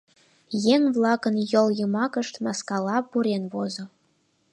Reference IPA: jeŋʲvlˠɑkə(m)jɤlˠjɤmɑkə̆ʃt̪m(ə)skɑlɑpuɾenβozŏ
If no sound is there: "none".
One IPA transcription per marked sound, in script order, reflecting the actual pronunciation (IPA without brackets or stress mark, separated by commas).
n, ɑ